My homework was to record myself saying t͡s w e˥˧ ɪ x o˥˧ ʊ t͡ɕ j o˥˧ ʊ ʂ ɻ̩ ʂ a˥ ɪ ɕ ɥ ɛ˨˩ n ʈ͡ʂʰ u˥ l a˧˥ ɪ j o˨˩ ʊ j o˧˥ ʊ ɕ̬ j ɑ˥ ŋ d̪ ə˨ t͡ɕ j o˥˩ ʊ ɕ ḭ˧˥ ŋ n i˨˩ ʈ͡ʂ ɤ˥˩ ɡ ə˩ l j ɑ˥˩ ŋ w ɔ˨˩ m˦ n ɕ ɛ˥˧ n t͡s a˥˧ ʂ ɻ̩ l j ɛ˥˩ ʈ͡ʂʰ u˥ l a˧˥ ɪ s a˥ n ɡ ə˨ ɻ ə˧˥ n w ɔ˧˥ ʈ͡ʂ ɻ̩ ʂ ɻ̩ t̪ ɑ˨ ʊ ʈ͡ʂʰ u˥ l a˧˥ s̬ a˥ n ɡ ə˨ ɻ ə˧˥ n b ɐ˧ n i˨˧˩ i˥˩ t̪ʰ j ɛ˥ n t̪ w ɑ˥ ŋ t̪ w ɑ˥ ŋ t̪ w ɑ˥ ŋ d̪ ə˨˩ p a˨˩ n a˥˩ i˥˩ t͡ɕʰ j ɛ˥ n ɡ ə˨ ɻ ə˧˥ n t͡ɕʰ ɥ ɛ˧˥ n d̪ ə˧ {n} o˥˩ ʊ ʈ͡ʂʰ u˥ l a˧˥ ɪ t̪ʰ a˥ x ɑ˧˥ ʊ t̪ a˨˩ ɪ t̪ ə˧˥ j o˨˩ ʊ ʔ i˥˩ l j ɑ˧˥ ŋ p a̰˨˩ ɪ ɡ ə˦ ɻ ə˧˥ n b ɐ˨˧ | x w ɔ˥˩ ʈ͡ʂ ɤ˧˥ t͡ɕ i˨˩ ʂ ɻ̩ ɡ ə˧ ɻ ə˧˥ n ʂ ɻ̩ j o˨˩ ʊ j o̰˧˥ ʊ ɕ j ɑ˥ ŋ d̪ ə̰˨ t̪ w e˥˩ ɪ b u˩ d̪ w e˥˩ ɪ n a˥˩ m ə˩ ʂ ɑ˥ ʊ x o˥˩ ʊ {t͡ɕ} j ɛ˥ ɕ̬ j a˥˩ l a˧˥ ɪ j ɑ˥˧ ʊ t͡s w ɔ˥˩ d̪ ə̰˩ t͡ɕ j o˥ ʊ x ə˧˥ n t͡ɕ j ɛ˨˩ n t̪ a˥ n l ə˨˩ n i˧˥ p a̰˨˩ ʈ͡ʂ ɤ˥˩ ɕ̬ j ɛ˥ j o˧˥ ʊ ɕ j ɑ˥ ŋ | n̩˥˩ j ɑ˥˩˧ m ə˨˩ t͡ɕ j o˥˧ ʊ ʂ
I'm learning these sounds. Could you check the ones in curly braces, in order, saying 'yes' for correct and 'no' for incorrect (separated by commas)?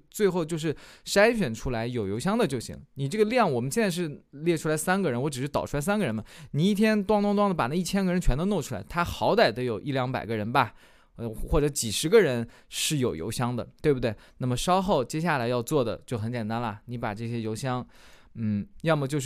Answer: yes, yes